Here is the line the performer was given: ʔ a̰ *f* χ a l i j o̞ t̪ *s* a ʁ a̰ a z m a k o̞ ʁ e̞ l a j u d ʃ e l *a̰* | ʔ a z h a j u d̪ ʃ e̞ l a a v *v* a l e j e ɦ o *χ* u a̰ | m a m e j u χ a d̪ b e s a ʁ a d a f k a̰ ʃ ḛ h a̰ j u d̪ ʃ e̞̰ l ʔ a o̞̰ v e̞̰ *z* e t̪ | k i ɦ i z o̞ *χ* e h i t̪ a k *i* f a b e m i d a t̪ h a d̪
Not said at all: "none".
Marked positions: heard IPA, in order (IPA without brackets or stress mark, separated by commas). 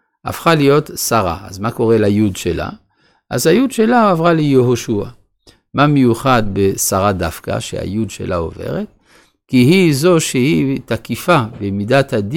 f, s, a̰, ʁ, ʃ, ʁ, ʃ, i